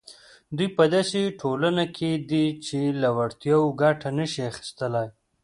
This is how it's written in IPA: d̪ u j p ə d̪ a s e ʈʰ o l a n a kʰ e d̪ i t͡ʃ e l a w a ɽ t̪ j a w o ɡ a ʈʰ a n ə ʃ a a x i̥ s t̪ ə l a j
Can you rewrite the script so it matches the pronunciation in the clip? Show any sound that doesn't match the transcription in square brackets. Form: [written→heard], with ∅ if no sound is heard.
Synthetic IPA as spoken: d̪ u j p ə d̪ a s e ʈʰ o l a n a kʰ e d̪ i t͡ʃ e l a w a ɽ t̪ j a w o ɡ a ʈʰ a n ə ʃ [a→i] a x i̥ s t̪ ə l a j